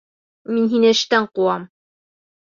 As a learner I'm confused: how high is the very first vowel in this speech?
high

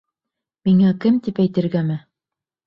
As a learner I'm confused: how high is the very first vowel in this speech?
high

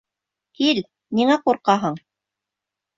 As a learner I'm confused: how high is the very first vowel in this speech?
high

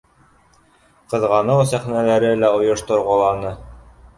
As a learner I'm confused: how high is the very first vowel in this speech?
mid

